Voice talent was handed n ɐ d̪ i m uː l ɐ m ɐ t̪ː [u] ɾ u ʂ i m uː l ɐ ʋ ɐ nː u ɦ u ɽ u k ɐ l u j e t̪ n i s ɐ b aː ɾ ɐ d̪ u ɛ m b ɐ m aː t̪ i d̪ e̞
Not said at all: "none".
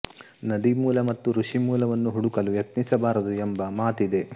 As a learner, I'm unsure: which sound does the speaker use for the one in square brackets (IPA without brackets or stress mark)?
u